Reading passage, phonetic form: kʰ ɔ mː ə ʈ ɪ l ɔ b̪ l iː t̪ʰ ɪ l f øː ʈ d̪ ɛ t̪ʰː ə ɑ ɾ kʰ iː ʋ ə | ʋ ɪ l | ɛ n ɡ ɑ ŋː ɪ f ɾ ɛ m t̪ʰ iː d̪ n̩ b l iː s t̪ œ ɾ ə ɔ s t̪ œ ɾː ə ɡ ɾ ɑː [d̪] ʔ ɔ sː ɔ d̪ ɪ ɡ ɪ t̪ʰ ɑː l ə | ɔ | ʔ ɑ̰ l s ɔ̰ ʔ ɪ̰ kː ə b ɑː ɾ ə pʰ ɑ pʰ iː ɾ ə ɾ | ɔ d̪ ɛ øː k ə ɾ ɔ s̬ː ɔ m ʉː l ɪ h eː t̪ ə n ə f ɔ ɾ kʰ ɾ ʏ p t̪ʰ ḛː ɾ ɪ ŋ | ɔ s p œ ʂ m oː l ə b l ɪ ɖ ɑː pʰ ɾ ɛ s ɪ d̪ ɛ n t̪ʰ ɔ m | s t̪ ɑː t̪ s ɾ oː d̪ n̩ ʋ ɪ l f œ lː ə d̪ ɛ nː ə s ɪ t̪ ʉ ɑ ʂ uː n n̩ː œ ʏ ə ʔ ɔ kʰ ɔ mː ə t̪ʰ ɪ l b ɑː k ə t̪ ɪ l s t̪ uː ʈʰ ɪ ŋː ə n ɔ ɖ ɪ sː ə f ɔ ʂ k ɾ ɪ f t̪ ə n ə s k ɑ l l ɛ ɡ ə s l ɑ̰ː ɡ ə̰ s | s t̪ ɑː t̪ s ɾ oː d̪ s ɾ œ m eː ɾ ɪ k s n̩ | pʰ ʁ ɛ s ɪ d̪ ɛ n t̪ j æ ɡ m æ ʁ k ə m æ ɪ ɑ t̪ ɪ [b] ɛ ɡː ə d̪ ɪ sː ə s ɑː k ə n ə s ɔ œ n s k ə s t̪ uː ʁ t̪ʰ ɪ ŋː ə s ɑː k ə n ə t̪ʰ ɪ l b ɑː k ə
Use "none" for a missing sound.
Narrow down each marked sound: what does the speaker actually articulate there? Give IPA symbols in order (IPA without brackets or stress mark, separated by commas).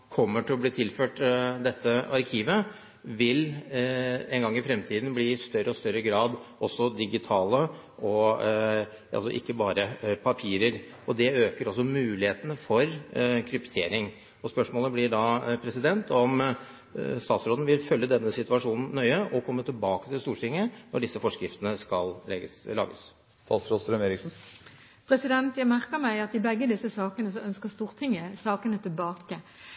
d̪, b